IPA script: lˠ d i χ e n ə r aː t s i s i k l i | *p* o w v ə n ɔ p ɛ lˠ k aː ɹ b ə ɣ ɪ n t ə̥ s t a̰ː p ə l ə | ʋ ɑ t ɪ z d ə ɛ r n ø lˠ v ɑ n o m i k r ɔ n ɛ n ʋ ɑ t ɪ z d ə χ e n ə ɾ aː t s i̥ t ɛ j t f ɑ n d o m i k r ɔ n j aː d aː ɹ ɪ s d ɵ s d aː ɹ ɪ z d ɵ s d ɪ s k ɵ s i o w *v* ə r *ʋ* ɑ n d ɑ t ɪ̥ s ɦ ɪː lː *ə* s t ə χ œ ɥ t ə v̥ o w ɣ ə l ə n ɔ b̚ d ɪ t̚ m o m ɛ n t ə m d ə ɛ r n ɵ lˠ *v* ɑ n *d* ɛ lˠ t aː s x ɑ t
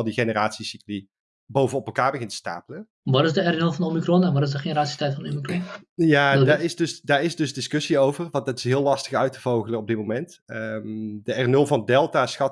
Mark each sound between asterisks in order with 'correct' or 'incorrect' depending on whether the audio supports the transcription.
incorrect: b, correct, correct, incorrect: ɑ, correct, correct

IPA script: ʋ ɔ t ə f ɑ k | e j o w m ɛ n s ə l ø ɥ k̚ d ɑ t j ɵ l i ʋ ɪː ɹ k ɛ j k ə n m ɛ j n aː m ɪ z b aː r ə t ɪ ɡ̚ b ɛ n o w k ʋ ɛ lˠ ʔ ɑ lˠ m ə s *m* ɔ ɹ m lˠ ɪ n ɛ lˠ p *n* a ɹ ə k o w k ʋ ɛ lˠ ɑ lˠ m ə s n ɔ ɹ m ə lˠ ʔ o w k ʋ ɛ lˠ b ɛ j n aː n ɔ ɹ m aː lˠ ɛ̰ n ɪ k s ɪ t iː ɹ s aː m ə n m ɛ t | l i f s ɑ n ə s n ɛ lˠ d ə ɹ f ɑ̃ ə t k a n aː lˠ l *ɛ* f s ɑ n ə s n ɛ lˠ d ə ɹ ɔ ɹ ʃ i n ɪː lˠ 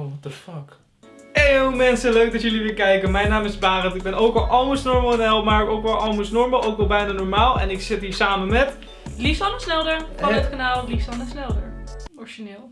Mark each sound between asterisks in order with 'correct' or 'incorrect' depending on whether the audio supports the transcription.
incorrect: n, incorrect: m, incorrect: i

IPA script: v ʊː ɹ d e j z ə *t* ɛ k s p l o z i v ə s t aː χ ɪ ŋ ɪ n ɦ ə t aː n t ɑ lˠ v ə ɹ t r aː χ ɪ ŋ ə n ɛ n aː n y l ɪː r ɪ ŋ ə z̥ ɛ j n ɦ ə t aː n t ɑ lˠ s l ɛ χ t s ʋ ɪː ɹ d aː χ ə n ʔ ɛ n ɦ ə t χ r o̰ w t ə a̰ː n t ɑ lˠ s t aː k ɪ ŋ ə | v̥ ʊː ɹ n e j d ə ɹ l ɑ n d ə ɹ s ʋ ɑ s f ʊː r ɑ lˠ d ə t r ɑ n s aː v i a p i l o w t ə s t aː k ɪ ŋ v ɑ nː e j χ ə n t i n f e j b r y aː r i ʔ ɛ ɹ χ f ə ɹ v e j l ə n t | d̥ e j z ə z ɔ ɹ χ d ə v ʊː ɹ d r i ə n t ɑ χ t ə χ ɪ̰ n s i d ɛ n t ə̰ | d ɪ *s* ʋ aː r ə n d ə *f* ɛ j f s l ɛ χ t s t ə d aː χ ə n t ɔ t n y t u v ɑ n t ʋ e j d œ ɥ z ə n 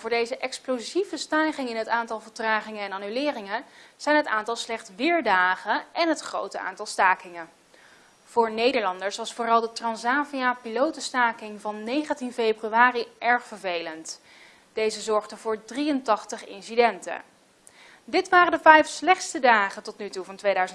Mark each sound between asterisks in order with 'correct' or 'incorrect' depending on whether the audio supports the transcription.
incorrect: ʔ, incorrect: t, incorrect: v

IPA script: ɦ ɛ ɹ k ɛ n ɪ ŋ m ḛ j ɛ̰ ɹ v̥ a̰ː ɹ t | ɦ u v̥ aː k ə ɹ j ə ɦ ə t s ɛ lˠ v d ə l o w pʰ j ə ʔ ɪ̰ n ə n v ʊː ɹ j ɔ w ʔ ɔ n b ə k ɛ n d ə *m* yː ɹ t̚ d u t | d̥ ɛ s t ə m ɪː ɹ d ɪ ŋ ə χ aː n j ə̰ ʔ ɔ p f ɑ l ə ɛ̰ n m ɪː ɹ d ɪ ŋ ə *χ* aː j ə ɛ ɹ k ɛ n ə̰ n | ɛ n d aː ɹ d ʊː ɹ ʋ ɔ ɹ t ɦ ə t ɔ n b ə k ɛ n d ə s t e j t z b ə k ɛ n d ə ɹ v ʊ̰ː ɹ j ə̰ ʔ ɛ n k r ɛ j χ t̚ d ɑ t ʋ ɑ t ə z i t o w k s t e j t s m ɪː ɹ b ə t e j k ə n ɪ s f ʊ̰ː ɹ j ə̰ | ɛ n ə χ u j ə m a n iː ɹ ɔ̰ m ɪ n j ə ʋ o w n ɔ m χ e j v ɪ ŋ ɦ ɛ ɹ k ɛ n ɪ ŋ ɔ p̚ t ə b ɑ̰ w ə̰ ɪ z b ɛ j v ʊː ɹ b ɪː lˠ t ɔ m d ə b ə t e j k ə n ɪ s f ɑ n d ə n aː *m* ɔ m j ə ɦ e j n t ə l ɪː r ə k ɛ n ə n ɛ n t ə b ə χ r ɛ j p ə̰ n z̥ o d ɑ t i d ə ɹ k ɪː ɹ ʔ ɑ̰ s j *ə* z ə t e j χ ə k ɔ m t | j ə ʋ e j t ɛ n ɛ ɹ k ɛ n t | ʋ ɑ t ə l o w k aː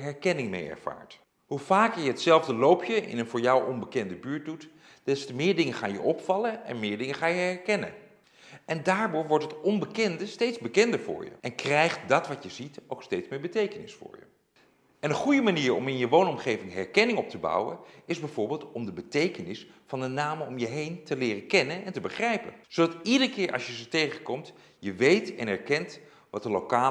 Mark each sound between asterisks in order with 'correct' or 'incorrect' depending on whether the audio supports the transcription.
incorrect: b, correct, correct, correct

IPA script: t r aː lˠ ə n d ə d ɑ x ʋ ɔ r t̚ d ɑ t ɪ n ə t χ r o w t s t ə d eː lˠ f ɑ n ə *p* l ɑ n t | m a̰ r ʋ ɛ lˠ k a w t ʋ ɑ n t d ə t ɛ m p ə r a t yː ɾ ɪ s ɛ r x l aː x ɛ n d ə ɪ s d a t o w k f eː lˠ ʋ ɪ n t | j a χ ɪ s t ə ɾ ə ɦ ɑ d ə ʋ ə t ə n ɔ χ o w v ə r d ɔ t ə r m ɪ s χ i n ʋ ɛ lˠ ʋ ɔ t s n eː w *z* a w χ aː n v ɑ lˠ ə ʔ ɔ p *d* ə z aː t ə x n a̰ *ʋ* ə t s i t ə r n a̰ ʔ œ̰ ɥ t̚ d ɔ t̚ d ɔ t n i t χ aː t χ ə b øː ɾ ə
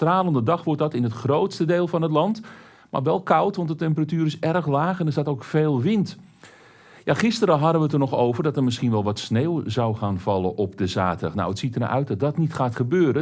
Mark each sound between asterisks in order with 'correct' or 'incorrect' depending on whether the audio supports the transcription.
incorrect: t, correct, correct, incorrect: w

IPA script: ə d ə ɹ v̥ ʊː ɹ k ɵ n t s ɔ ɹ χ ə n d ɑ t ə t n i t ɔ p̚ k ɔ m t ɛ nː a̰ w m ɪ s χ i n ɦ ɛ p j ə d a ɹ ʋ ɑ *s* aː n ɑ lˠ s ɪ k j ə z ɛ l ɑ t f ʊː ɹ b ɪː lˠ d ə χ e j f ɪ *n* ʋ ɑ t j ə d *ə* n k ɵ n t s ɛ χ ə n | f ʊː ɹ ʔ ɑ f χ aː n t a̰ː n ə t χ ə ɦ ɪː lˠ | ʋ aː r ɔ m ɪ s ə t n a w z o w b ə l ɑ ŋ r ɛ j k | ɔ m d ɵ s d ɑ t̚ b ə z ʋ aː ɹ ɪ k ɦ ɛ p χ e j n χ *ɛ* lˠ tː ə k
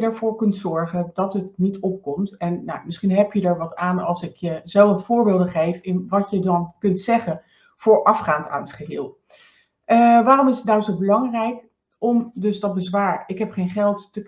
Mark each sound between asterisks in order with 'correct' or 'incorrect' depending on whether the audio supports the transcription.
incorrect: t, correct, incorrect: ɑ, correct

